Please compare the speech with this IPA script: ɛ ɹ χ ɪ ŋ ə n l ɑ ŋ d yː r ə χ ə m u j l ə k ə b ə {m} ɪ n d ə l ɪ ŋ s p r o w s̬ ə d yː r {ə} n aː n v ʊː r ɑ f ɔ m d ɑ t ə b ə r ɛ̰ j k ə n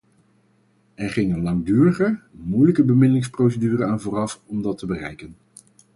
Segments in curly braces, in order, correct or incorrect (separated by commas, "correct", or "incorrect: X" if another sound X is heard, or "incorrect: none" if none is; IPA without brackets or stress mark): correct, correct